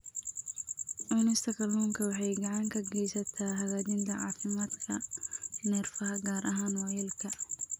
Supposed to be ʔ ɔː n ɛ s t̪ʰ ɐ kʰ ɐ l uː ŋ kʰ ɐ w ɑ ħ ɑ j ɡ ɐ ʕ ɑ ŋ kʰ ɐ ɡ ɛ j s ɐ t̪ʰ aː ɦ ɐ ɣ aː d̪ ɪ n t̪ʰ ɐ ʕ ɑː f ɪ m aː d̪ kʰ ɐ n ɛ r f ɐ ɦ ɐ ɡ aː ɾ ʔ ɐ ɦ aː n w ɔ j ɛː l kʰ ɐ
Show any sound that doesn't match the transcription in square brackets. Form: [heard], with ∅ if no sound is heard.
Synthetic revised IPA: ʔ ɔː n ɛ s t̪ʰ ɐ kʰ ɐ l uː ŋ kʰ ɐ w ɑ ħ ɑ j ɡ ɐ ʕ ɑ ŋ kʰ ɐ ɡ ɛ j s ɐ t̪ʰ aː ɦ ɐ ɣ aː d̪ ɪ n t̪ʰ ɐ ʕ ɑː f ɪ m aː d̪ kʰ ɐ n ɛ r f ɐ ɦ ɐ ɡ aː ɾ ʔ ɐ ɦ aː n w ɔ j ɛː l kʰ ɐ